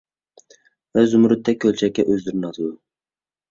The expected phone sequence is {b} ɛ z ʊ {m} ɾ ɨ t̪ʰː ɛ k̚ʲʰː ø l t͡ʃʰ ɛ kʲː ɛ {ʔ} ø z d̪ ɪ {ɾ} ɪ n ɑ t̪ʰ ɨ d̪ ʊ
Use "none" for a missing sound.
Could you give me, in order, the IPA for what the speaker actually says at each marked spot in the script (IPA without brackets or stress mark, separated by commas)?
v, m, ʔ, ɾ